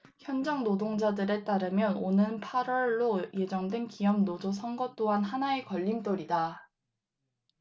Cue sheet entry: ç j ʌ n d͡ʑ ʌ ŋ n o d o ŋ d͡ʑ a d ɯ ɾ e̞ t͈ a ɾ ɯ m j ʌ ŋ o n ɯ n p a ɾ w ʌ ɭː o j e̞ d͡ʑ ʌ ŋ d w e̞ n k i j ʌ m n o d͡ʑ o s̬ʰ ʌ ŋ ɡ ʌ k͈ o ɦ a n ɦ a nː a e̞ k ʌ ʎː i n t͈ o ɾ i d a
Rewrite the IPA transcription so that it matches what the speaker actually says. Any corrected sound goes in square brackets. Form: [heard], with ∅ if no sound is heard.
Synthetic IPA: ç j ʌ n d͡ʑ ʌ ŋ n o d o ŋ d͡ʑ a d ɯ ɾ e̞ t͈ a ɾ ɯ m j ʌ [n] o n ɯ n [pʰ] a ɾ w ʌ ɭː o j e̞ d͡ʑ ʌ ŋ d w e̞ n k i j ʌ m n o d͡ʑ o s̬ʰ ʌ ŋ ɡ ʌ [t͈] o ɦ a n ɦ a [n] a e̞ k ʌ ʎː i n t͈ o ɾ i d a

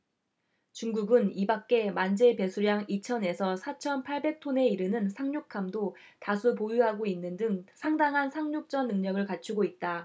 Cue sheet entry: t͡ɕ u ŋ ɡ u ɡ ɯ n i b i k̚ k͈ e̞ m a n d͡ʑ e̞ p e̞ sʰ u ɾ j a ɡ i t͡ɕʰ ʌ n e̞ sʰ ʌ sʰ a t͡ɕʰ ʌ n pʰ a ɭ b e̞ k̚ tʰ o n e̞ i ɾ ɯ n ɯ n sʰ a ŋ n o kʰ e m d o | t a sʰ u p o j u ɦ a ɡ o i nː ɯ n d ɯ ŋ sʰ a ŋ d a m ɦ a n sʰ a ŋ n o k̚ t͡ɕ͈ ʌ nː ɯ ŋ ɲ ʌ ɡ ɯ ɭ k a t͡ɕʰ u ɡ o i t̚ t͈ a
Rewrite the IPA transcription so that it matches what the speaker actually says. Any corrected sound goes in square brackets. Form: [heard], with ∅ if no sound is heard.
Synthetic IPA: t͡ɕ u ŋ ɡ u ɡ ɯ n i b [a] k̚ k͈ e̞ m a n d͡ʑ e̞ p e̞ sʰ u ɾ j a [ŋ] i t͡ɕʰ ʌ n e̞ sʰ ʌ sʰ a t͡ɕʰ ʌ n pʰ a ɭ b e̞ k̚ tʰ o n e̞ i ɾ ɯ n ɯ n sʰ a ŋ [ɲ] o kʰ [a] m d o | t a sʰ u p o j u ɦ a ɡ o i nː ɯ n d ɯ ŋ sʰ a ŋ d a [ŋ] ɦ a n sʰ a ŋ [ɲ] o k̚ t͡ɕ͈ ʌ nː ɯ ŋ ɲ ʌ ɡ ɯ ɭ k a t͡ɕʰ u ɡ o i t̚ t͈ a

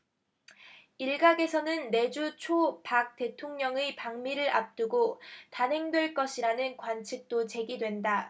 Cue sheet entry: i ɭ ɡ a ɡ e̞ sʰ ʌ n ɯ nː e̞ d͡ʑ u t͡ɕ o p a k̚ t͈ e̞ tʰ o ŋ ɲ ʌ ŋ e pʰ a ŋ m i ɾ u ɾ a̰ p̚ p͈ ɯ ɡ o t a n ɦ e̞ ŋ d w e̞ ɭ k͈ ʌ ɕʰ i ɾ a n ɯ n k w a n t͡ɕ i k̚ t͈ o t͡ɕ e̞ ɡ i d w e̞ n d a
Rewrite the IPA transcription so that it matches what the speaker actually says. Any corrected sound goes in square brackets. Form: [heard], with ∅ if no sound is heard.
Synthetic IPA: i ɭ ɡ a ɡ e̞ sʰ ʌ n ɯ nː e̞ d͡ʑ u [t͡ɕʰ] o p a k̚ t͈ e̞ tʰ o ŋ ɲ ʌ ŋ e [p] a ŋ m i ɾ [ɯ] ɾ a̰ p̚ [t͈] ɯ ɡ o t a n ɦ e̞ ŋ d w e̞ ɭ k͈ ʌ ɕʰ i ɾ a n ɯ n k w a n [t͡ɕʰ] i k̚ t͈ o t͡ɕ e̞ ɡ i d w e̞ n d a

